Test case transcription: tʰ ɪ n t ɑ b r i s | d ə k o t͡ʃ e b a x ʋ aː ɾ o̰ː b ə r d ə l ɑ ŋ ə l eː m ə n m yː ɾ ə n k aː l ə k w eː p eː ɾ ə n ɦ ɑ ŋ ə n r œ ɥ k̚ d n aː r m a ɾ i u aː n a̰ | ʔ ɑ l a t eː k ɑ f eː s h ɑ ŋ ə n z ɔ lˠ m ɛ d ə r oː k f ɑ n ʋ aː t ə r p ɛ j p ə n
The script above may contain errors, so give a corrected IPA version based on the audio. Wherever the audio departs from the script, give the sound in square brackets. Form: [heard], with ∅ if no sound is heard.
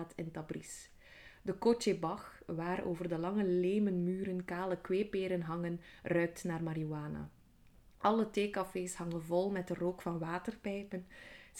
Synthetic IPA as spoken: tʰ ɪ n t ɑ b r i s | d ə k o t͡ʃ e b [ɑ] x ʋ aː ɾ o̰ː [v] ə r d ə l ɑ ŋ ə l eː m ə n m yː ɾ ə n k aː l ə k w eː p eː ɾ ə n ɦ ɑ ŋ ə n r œ ɥ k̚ [t] n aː r m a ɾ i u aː n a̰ | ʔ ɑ l [ə] t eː k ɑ f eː s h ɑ ŋ ə n [v] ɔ lˠ m ɛ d ə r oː k f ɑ n ʋ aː t ə r p ɛ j p ə n